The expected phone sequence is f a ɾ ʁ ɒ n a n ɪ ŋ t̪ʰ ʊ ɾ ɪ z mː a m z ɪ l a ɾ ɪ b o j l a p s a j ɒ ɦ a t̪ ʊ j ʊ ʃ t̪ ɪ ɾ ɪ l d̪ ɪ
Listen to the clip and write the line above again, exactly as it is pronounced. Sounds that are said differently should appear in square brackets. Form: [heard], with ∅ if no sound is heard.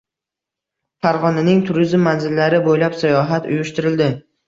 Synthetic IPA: f a ɾ ʁ ɒ n a n ɪ ŋ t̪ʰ ʊ ɾ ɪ z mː a [n] z ɪ [lː] a ɾ ɪ b o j l a p s a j ɒ ɦ a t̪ ʊ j ʊ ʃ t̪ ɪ ɾ ɪ l d̪ ɪ